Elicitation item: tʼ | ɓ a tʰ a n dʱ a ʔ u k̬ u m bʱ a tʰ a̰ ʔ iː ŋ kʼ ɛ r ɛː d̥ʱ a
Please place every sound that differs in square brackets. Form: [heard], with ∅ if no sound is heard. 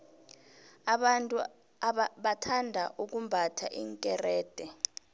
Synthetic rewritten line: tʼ | ɓ a tʰ a n dʱ a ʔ u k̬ u m bʱ a tʰ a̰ ʔ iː ŋ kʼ ɛ r ɛː d̥ʱ [ɛ]